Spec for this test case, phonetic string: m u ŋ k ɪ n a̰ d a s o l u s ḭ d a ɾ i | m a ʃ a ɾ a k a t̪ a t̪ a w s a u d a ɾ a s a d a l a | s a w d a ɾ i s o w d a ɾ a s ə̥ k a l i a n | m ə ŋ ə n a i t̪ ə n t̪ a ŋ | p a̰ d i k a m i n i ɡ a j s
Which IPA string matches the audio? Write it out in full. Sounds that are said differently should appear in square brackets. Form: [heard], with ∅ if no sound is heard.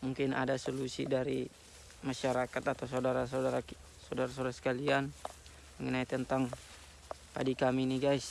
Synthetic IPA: m u ŋ k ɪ n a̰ d a s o l u s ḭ d a ɾ i | m a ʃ a ɾ a k a t̪ a t̪ a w s a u d a ɾ a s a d a [ɾ] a | s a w d a ɾ [a] s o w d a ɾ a s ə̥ k a l i a n | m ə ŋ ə n a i t̪ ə n t̪ a ŋ | p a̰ d i k a m i n i ɡ a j s